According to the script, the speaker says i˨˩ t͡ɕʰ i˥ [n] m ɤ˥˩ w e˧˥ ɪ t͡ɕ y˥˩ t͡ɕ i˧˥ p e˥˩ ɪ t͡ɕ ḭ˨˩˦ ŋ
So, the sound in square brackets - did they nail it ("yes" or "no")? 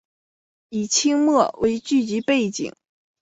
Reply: no